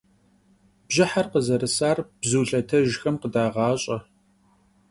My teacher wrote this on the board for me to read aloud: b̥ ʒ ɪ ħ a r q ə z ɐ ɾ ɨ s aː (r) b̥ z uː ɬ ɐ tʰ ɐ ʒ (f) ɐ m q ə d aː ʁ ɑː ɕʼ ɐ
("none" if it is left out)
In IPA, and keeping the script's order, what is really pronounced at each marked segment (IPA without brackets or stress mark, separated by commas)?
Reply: r, x